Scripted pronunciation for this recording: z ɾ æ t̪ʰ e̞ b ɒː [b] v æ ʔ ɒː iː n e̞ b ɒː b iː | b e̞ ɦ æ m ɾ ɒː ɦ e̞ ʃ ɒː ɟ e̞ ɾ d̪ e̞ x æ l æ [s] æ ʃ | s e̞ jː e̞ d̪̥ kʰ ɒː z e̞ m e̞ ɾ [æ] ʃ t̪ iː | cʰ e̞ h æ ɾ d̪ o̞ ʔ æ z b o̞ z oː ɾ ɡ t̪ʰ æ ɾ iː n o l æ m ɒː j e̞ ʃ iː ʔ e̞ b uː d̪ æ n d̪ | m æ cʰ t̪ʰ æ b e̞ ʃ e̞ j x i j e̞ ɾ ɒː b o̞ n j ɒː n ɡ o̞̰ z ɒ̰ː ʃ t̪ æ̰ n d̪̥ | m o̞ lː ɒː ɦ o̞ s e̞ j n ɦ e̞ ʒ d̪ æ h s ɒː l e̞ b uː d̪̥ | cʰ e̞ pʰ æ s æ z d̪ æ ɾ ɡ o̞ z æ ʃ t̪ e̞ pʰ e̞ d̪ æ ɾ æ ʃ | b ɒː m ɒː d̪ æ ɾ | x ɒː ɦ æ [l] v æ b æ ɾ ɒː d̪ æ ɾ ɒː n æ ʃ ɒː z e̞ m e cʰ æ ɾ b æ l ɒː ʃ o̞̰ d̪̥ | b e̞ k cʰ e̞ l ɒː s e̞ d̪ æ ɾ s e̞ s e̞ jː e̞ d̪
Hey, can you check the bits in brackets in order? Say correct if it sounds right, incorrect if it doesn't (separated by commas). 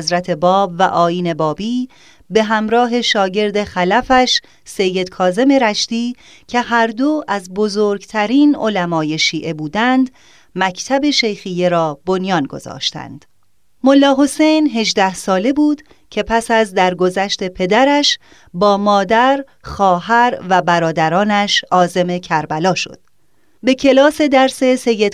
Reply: correct, incorrect, correct, incorrect